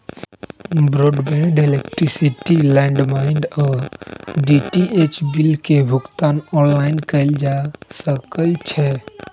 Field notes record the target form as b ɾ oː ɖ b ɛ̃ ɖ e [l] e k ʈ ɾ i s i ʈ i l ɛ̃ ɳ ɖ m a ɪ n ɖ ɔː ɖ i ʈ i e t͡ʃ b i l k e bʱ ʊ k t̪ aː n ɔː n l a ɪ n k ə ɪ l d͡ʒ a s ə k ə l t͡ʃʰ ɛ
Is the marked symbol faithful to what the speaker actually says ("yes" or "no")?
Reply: yes